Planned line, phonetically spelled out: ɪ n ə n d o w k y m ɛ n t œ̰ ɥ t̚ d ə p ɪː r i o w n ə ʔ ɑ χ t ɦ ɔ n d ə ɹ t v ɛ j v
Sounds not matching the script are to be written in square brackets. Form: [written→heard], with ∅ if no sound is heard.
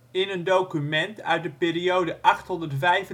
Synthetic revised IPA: ɪ n ə n d o w k y m ɛ n t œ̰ ɥ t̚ d ə p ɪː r i o w [n→d] ə ʔ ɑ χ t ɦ ɔ n d ə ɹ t v ɛ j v